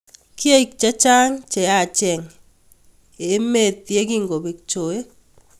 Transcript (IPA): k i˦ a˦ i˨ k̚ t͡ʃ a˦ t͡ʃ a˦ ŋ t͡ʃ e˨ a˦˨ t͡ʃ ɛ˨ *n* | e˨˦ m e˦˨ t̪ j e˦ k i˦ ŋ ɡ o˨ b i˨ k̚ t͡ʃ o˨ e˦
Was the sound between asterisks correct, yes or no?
no